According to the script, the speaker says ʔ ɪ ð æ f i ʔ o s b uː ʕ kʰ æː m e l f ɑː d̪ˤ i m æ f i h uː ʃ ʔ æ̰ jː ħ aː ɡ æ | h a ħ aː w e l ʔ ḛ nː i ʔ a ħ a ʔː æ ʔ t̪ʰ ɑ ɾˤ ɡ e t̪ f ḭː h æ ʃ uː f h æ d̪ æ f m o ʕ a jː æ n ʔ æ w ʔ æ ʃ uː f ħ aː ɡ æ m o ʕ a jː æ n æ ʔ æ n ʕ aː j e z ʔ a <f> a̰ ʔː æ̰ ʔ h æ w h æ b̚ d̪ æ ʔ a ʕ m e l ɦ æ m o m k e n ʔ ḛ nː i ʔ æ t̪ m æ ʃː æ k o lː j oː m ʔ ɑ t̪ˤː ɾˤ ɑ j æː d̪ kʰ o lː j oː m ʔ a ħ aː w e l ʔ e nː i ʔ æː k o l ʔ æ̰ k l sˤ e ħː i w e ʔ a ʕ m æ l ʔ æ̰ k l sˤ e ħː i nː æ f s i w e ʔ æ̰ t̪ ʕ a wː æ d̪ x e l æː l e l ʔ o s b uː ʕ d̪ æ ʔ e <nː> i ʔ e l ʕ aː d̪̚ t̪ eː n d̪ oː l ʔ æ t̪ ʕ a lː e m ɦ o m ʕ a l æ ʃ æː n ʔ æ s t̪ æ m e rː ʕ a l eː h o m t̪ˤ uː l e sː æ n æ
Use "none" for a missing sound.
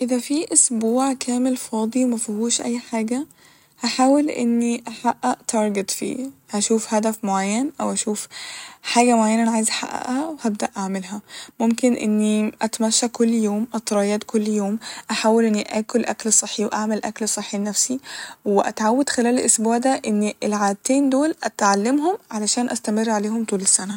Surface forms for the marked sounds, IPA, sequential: ħ, nː

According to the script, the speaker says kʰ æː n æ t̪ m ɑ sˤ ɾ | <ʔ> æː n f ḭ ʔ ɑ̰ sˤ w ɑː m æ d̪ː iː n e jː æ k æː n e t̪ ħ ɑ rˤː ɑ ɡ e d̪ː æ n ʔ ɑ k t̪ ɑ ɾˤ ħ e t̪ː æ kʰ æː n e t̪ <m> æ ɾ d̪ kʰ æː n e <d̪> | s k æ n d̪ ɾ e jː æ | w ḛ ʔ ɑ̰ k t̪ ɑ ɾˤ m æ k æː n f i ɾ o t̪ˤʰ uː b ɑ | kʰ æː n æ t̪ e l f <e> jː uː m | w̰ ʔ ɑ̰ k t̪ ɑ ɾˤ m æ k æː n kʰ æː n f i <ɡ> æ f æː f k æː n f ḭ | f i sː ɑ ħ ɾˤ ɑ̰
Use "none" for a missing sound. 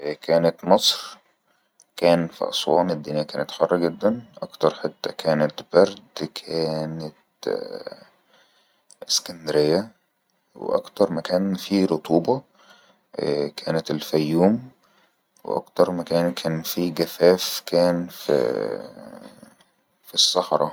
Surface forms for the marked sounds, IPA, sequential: k, b, t̪, æ, ɡ

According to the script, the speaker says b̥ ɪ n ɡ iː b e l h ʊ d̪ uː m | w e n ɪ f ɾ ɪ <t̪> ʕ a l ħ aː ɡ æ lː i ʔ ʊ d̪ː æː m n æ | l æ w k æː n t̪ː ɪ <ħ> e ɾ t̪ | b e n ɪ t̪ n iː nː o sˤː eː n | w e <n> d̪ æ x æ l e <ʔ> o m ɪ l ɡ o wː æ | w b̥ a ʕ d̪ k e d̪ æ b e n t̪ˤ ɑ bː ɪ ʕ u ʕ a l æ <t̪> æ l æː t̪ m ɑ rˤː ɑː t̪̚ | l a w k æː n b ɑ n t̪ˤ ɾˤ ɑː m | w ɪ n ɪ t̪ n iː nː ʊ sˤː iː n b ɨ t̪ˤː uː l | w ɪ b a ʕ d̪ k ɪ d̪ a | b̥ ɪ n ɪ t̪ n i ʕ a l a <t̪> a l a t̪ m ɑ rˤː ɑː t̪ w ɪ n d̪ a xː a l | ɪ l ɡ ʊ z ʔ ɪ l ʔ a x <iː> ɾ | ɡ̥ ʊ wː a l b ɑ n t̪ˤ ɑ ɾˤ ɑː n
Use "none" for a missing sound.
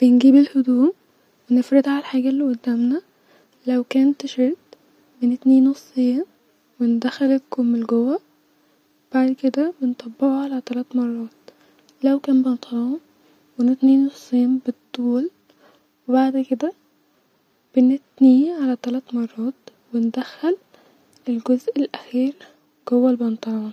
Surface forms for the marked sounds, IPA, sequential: d̪, ʃ, n, k, t̪, t̪, iː

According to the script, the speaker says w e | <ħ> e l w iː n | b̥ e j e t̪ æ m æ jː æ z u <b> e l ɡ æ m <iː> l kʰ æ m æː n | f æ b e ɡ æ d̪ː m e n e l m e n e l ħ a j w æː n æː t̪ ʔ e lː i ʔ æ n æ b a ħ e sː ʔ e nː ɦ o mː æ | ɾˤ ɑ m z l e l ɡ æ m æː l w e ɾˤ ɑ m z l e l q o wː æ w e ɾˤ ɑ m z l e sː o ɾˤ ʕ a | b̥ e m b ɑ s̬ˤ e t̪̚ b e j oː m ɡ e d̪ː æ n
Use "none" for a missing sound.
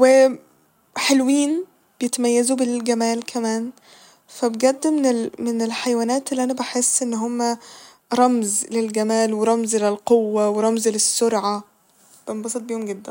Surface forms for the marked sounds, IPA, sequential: ħ, b, æː

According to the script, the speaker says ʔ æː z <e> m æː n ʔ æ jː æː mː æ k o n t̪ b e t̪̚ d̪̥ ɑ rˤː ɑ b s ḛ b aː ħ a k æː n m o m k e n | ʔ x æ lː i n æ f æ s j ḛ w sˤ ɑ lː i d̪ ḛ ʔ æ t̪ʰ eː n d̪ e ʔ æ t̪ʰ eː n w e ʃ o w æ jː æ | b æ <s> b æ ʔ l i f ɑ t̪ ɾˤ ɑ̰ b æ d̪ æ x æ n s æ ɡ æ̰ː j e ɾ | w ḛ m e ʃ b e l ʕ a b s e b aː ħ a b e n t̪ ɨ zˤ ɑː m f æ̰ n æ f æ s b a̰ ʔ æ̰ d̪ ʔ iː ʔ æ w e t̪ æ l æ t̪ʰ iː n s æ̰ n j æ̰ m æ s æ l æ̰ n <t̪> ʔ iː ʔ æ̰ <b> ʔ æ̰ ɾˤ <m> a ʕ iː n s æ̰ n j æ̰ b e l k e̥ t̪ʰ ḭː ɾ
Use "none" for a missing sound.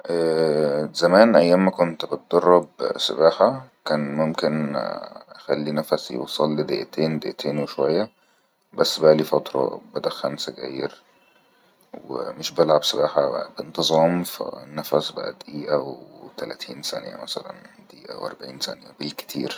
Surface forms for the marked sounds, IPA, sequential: æ, sː, d̪, w, b

